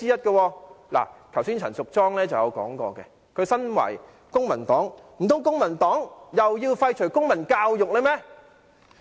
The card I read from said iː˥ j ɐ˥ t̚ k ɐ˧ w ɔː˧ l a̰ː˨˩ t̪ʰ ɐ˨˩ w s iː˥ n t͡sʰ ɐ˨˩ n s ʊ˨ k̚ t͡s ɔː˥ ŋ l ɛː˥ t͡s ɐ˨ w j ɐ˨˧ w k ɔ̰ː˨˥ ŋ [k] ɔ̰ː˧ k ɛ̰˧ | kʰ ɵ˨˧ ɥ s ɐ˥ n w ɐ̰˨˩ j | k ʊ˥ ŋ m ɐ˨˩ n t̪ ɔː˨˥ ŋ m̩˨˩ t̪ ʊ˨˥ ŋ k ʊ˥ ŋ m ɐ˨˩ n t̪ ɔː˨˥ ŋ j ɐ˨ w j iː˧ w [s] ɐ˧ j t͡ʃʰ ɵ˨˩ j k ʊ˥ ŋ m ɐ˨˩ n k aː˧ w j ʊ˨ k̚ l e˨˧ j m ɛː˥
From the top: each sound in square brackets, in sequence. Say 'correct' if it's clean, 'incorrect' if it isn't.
correct, incorrect: f

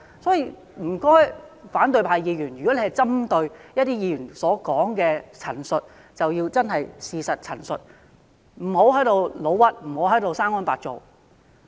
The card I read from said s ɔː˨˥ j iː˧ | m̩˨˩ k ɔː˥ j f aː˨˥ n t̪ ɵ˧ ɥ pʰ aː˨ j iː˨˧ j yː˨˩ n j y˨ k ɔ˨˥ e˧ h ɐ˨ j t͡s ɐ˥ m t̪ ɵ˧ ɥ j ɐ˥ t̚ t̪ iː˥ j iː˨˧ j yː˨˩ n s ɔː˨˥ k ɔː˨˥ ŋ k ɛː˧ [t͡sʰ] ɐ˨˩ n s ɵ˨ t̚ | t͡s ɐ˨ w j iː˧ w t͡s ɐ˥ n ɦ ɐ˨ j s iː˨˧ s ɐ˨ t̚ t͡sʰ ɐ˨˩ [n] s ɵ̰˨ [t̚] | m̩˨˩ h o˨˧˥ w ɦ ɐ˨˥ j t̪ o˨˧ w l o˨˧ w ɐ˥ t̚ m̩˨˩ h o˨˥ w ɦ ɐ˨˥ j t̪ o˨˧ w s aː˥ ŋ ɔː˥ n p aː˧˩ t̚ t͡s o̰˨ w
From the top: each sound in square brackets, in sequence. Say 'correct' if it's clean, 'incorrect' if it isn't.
correct, correct, correct

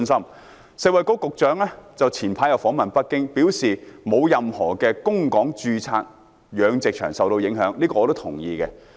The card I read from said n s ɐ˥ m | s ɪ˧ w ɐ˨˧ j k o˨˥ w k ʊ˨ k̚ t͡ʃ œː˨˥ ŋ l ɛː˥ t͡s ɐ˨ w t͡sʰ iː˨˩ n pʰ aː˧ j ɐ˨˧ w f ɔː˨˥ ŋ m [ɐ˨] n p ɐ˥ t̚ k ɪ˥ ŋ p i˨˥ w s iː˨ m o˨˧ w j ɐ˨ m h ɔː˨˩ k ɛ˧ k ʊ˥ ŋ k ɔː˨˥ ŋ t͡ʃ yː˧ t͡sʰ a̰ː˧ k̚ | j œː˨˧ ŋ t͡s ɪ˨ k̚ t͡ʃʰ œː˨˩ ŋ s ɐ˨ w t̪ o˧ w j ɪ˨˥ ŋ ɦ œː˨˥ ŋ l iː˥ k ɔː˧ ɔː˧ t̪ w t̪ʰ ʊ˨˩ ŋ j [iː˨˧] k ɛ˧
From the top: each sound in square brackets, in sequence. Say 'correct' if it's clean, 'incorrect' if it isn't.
correct, correct

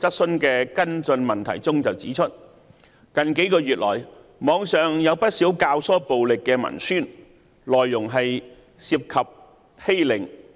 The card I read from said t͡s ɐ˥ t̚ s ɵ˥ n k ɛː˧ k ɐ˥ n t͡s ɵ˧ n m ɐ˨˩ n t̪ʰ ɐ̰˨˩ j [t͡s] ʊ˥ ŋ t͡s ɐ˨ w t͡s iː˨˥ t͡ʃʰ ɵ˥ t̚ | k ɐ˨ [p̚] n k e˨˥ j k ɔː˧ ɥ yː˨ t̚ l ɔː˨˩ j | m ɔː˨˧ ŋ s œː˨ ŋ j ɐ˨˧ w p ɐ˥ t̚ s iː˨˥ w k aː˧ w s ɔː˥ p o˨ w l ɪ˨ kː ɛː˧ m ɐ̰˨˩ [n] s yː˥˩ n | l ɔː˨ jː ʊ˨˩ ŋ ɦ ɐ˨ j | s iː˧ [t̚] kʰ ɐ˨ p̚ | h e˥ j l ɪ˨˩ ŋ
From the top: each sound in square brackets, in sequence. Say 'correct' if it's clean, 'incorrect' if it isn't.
correct, incorrect: none, correct, incorrect: p̚

